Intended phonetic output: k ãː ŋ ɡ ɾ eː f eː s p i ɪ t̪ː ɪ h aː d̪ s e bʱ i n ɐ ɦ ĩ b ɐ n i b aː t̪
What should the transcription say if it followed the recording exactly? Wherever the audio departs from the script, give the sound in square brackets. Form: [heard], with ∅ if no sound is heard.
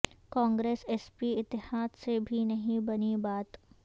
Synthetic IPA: k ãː ŋ ɡ ɾ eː [s] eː s p i ɪ t̪ː ɪ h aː d̪ s e bʱ i n ɐ ɦ ĩ b ɐ n i b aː t̪

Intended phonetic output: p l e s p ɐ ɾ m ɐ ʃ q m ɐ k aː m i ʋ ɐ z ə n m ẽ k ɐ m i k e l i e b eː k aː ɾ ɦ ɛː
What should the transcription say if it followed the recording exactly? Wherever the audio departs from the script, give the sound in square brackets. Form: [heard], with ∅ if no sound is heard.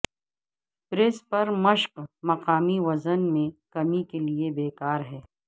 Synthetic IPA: p [ɾ] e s p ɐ ɾ m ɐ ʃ q m ɐ [q] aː m i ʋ ɐ z ə n m ẽ k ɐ m i k e l i e b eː k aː ɾ ɦ ɛː

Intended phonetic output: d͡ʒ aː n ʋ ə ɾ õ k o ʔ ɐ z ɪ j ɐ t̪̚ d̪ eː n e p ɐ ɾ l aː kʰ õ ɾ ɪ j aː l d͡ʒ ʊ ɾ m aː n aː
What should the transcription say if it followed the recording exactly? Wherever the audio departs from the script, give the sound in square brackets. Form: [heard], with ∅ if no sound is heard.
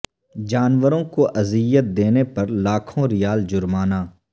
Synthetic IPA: d͡ʒ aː n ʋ ə ɾ õ k o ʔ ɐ z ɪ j [ə] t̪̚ d̪ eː n e p ɐ ɾ l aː kʰ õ ɾ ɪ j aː l d͡ʒ ʊ ɾ m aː n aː

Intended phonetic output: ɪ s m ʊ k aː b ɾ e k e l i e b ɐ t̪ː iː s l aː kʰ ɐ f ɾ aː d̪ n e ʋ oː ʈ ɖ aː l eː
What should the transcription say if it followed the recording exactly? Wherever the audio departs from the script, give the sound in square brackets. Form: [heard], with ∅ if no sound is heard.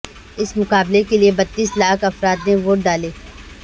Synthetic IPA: ɪ s m ʊ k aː b [l] e k e l i e b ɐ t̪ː iː s l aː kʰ ɐ f ɾ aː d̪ n e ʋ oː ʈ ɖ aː l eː

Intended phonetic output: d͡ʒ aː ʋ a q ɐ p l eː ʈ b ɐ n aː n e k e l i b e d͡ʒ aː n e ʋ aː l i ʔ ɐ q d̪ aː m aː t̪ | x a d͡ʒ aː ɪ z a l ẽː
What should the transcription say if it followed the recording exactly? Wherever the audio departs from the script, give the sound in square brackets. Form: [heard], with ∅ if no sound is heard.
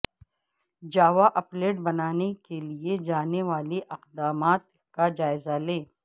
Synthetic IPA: d͡ʒ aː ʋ a [ʔ] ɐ p l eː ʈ b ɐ n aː n e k e l i [∅] e d͡ʒ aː n e ʋ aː l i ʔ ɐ q d̪ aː m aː t̪ | [k] a d͡ʒ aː ɪ z a l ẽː

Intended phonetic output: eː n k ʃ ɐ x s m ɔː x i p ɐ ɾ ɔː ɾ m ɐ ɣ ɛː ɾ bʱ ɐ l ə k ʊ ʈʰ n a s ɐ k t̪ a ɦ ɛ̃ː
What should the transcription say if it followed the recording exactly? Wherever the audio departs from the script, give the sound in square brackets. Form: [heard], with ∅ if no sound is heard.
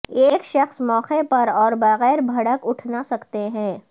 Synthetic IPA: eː [∅] k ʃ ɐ x s m ɔː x [e] p ɐ ɾ ɔː ɾ [b] ɐ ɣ ɛː ɾ bʱ ɐ [ɽ] ə k ʊ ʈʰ n a s ɐ k t̪ [e] ɦ ɛ̃ː

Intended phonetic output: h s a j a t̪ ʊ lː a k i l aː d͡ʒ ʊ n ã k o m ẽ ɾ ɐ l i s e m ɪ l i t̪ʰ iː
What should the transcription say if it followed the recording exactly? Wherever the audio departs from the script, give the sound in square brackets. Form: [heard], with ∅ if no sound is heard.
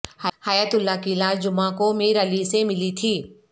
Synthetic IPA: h [h] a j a t̪ ʊ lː a k i l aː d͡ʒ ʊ [m] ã k o m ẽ ɾ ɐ l i s e m ɪ l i t̪ʰ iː

